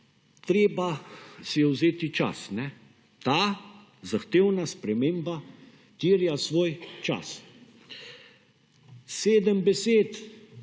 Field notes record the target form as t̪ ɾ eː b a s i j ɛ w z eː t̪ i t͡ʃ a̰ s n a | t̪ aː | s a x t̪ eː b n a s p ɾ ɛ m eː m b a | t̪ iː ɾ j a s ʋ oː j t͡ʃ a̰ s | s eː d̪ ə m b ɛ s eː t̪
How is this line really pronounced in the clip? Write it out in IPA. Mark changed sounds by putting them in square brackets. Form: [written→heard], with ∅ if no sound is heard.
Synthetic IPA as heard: t̪ ɾ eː b a s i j ɛ w z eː t̪ i t͡ʃ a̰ s n [a→ɛ] | t̪ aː | [s→z] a x t̪ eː [b→w] n a s p ɾ ɛ m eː m b a | t̪ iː ɾ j a s ʋ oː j t͡ʃ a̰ s | s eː d̪ ə m b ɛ s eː t̪